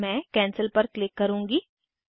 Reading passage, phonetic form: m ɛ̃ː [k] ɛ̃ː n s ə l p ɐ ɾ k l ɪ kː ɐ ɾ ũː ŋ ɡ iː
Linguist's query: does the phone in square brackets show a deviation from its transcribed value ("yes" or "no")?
no